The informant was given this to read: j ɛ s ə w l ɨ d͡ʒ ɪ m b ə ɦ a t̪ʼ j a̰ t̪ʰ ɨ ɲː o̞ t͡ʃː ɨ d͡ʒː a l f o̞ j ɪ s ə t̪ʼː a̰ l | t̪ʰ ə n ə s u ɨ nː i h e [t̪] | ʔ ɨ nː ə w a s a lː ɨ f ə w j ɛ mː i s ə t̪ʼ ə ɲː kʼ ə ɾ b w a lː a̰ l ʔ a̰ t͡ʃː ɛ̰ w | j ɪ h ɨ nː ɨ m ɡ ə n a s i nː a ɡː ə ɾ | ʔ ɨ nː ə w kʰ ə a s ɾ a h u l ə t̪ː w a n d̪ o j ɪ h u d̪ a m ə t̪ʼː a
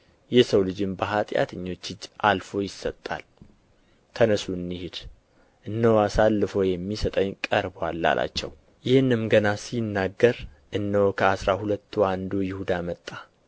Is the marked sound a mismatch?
yes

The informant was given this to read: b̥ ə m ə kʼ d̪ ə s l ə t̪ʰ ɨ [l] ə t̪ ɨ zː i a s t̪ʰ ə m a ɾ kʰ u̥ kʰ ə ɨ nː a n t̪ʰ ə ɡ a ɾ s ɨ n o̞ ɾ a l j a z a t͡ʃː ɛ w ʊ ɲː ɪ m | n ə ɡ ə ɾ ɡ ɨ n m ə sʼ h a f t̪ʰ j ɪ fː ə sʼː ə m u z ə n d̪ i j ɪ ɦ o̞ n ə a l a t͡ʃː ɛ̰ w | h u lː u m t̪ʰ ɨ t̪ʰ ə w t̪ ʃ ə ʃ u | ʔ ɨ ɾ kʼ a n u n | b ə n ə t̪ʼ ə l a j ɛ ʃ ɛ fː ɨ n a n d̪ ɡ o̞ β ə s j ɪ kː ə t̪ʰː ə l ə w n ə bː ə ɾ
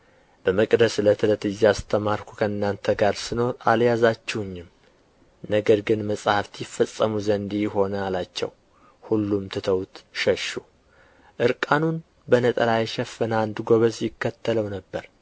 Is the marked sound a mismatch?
no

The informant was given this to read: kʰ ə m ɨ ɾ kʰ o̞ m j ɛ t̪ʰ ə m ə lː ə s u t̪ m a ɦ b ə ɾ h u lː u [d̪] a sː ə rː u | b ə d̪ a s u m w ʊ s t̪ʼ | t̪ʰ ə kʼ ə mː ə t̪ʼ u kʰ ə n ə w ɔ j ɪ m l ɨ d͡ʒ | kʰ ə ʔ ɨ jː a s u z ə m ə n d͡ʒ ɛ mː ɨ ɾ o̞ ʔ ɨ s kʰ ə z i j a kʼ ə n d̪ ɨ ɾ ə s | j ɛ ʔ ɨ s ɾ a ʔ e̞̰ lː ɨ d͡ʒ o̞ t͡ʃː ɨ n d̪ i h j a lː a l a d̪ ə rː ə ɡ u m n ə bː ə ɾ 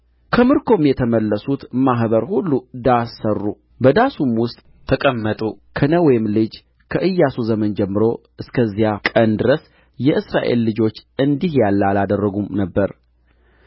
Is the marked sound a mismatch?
no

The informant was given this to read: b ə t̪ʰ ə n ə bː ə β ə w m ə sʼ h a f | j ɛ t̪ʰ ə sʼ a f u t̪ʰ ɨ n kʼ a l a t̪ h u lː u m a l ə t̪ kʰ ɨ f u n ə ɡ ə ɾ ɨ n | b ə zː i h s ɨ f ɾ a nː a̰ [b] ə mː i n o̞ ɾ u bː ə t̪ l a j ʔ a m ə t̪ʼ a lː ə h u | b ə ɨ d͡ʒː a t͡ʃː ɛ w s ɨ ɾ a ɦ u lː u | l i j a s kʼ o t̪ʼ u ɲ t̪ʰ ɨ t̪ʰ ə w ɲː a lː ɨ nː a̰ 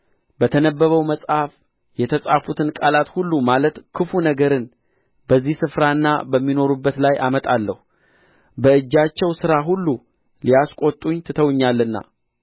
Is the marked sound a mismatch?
no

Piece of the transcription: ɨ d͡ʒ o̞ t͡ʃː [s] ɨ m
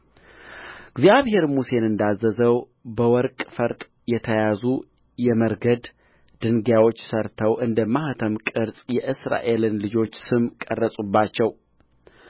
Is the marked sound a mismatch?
no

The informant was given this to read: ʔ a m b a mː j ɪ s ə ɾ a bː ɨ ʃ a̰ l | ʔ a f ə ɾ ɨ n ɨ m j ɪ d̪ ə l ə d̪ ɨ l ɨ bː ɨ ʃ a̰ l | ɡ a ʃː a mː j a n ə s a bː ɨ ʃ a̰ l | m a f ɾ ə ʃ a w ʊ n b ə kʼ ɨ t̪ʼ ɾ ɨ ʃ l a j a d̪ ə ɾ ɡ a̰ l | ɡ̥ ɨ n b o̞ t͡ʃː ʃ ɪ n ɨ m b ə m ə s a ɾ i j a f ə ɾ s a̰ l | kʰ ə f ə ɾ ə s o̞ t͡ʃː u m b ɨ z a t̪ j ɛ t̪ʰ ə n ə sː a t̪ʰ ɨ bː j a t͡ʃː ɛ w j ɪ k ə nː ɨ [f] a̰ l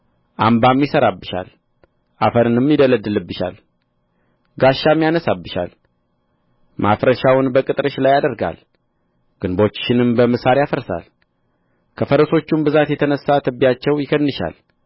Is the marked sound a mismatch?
yes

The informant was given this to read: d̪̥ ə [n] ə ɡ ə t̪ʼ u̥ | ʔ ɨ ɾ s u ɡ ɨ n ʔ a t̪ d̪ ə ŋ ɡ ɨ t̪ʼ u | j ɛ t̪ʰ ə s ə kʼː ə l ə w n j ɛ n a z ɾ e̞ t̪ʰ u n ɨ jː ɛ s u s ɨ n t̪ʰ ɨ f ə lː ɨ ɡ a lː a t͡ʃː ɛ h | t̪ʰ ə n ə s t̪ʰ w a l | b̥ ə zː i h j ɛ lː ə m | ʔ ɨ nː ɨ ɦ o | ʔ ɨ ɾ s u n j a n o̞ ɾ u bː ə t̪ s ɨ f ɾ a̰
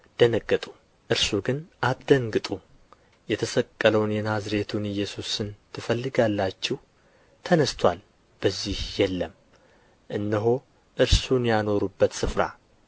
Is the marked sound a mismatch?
no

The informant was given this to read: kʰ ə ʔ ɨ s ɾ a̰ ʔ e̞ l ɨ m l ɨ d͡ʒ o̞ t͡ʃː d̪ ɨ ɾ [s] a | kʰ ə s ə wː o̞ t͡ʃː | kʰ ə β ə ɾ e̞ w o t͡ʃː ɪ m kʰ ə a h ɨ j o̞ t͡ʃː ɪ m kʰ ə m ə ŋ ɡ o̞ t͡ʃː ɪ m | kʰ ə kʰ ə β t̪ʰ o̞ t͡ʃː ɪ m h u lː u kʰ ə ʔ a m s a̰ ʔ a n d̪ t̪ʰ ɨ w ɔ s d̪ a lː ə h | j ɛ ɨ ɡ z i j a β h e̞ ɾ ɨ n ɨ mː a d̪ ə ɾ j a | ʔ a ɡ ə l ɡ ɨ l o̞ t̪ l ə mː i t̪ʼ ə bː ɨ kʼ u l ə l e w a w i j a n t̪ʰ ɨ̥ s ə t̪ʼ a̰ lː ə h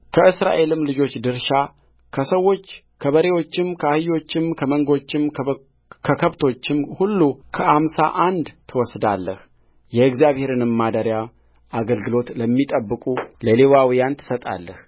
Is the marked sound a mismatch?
yes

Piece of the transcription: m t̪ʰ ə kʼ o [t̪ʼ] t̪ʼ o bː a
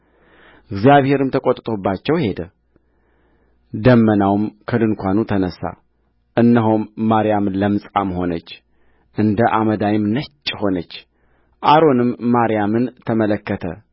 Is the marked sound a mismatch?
no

